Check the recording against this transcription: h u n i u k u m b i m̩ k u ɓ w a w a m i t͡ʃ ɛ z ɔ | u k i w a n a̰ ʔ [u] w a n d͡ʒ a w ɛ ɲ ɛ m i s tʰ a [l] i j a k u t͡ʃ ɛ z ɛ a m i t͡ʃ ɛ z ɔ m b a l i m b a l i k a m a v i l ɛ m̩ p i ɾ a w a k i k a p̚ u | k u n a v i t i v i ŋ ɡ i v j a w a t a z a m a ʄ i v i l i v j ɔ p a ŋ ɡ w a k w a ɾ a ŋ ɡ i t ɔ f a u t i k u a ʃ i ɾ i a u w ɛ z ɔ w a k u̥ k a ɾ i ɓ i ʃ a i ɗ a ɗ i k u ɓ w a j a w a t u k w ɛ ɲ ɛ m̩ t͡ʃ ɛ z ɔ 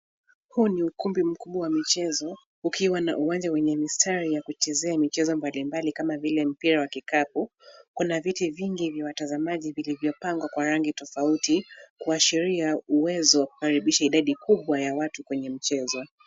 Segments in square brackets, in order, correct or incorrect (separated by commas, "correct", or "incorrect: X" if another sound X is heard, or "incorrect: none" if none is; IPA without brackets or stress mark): correct, incorrect: ɾ